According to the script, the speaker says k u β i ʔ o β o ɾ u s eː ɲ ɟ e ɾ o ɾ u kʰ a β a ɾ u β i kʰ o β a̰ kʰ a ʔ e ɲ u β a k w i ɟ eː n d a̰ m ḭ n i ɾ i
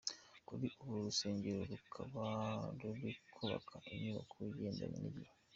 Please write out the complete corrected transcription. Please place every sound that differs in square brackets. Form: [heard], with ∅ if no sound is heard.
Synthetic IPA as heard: k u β i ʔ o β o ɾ u s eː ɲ ɟ e ɾ o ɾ u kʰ a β a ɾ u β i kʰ o β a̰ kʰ a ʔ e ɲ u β a k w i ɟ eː n d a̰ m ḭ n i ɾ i